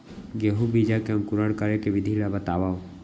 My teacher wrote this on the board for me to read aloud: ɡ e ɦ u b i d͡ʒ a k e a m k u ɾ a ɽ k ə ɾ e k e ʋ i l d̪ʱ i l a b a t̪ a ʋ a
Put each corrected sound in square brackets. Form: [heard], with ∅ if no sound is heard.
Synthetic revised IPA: ɡ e ɦ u b i d͡ʒ a k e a m k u ɾ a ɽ k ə ɾ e k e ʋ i [∅] d̪ʱ i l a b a t̪ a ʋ a